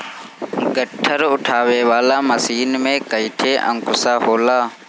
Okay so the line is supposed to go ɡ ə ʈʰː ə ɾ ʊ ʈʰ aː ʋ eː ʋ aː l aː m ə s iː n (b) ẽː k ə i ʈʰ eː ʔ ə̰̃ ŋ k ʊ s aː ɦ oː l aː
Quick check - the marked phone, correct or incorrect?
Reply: incorrect